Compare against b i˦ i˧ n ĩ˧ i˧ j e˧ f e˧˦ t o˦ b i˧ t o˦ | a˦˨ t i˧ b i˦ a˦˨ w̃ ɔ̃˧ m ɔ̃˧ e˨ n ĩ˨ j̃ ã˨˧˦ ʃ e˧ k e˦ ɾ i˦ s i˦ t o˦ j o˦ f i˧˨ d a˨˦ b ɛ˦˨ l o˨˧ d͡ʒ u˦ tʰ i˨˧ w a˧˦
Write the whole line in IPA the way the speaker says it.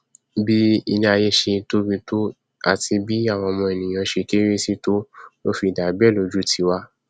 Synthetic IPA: b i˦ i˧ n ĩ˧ a˧ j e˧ ʃ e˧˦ t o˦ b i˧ t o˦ | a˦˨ t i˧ b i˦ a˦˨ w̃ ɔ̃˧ m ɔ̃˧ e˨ n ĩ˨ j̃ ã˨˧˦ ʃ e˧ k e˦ ɾ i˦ s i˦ t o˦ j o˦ f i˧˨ d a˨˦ b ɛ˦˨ l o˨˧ d͡ʒ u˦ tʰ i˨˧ w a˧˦